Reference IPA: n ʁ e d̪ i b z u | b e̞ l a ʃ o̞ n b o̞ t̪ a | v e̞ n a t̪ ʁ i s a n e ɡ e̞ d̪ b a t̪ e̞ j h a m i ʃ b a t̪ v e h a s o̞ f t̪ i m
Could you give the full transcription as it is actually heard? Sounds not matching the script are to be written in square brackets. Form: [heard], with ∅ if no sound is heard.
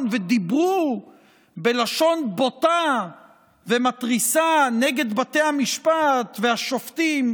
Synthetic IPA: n [v] e d̪ i b [ʁ] u | b e̞ l a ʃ o̞ n b o̞ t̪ a | v e̞ [m] a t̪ ʁ i s a n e ɡ e̞ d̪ b a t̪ e̞ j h a m i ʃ [p] a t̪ v e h a [ʃ] o̞ f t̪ i m